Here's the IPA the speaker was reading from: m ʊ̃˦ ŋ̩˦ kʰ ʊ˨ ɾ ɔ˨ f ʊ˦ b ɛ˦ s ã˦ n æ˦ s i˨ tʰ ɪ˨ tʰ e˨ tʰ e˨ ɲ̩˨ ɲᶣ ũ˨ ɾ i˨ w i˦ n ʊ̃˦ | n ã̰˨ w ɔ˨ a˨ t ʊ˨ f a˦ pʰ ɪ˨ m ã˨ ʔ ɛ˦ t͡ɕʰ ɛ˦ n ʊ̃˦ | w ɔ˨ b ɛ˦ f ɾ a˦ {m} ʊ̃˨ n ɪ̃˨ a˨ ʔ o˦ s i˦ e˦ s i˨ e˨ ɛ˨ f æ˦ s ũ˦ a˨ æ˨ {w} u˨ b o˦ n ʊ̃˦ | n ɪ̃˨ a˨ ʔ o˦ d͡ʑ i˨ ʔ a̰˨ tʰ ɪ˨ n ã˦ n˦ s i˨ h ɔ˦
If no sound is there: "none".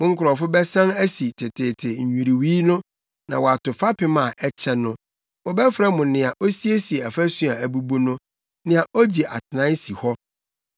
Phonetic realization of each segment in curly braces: m, b

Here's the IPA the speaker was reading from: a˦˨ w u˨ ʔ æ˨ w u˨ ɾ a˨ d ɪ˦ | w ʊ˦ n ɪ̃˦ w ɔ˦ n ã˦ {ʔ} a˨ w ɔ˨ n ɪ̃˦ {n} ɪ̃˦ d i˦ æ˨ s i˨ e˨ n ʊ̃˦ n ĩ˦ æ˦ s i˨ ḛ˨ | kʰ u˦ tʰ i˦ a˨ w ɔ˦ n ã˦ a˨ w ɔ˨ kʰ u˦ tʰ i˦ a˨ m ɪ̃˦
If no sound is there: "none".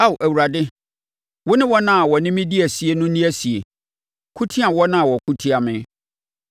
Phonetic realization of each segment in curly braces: none, m

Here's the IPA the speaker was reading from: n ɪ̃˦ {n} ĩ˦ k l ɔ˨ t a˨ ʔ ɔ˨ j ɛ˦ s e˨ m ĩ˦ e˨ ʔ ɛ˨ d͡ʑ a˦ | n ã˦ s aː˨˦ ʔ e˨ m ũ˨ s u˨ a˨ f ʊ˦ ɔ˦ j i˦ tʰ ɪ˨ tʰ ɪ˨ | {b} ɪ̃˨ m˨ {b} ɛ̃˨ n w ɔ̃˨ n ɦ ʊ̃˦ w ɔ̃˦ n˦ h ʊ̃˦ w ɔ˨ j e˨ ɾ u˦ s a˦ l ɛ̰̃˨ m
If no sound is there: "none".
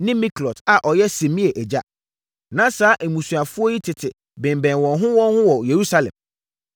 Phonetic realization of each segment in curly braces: m, b, b

